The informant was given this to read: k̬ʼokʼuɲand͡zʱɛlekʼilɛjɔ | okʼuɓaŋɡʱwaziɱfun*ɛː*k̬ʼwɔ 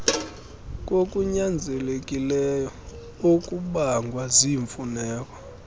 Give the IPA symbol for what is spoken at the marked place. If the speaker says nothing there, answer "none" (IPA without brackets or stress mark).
ɛː